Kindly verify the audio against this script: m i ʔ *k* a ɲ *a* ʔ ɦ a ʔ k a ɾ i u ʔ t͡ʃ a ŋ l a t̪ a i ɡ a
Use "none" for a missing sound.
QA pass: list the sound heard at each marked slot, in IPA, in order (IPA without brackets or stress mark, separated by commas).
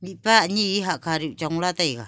p, i